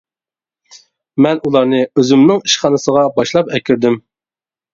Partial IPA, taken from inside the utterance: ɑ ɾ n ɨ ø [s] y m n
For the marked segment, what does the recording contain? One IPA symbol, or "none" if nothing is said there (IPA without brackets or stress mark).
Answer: z